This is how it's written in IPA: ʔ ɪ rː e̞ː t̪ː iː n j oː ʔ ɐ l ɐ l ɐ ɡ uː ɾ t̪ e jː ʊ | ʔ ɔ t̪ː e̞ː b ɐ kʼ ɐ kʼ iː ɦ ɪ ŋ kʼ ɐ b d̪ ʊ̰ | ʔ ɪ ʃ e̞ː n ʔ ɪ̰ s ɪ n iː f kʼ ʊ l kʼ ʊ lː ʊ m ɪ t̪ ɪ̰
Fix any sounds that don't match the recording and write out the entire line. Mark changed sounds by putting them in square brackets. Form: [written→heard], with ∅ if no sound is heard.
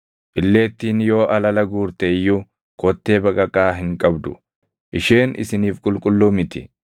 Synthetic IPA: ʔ ɪ [rː→lː] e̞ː t̪ː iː n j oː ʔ ɐ l ɐ l ɐ ɡ uː ɾ t̪ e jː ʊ | [ʔ→k] ɔ t̪ː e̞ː b ɐ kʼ ɐ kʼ [iː→aː] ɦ ɪ ŋ kʼ ɐ b d̪ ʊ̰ | ʔ ɪ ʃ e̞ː n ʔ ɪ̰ s ɪ n iː f kʼ ʊ l kʼ ʊ lː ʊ m ɪ t̪ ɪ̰